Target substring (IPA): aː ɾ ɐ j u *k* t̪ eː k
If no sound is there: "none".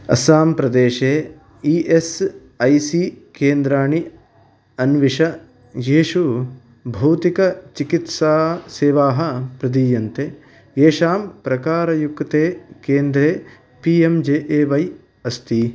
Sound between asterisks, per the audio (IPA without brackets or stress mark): k